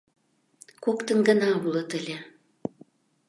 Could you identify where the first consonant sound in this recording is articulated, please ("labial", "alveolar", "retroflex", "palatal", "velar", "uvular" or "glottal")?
velar